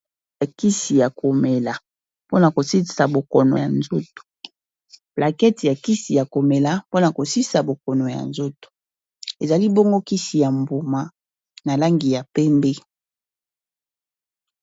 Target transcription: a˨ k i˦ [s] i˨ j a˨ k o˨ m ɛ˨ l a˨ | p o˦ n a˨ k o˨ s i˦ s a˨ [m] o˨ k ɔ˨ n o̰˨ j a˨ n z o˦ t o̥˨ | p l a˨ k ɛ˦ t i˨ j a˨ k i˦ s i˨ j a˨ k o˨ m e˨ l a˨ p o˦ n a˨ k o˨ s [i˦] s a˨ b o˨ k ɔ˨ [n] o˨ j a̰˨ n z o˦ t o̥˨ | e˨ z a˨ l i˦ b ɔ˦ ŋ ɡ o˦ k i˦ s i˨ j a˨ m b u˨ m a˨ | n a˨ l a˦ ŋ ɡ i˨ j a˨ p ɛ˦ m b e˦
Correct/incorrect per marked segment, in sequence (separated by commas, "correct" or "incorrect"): correct, incorrect, correct, correct